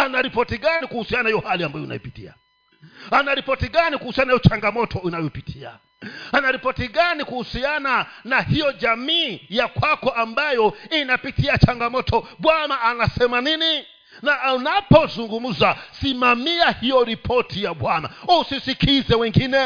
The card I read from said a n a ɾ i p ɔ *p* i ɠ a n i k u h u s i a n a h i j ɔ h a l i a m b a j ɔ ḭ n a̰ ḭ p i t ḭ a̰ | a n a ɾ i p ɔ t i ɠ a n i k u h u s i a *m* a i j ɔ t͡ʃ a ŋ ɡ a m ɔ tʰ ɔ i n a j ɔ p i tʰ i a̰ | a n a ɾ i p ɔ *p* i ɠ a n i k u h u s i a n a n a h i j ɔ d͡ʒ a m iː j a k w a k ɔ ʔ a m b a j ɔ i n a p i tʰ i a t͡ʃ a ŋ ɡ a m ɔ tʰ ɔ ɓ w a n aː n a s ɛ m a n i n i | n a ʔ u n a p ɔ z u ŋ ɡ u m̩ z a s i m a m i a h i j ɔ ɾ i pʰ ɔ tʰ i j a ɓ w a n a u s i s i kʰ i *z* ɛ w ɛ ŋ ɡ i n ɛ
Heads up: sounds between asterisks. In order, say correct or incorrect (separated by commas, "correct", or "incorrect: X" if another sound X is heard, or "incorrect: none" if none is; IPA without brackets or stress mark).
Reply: incorrect: t, incorrect: n, incorrect: t, correct